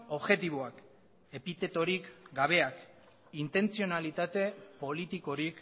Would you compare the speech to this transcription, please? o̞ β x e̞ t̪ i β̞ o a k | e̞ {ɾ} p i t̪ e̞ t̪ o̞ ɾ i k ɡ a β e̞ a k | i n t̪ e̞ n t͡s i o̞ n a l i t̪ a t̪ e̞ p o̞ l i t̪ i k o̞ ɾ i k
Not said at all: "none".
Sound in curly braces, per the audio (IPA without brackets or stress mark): none